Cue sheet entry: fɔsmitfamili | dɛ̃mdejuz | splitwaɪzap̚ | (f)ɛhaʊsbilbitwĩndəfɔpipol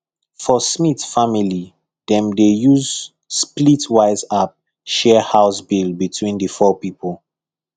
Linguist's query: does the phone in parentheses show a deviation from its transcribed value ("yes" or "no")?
yes